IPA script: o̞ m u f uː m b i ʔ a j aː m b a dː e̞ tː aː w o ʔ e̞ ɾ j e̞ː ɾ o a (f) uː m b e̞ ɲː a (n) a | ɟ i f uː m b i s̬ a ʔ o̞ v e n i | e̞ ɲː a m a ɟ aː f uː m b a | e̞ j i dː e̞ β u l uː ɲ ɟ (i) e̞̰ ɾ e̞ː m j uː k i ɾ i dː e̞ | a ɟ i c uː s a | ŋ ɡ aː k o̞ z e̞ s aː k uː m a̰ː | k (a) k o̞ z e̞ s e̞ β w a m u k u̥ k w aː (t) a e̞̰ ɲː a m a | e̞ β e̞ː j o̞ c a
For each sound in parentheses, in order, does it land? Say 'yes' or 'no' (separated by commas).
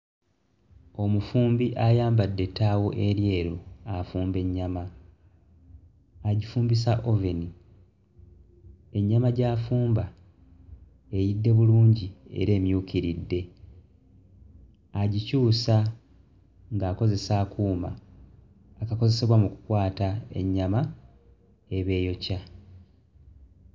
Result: yes, no, yes, yes, yes